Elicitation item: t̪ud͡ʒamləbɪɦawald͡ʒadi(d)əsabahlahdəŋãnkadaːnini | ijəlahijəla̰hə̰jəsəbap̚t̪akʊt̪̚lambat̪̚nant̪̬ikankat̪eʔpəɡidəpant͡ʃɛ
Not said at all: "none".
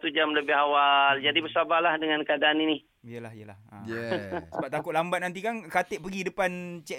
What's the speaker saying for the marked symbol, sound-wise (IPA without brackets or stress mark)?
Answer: b